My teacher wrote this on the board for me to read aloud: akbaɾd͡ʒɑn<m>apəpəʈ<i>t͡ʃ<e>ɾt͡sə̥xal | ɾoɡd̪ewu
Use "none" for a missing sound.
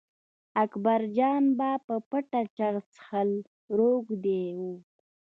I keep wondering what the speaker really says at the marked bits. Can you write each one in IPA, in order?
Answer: b, a, a

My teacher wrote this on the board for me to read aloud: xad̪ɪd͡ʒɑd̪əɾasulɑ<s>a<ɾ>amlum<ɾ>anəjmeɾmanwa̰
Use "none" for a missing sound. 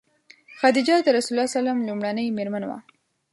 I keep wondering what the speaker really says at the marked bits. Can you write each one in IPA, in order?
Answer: s, l, ɽ

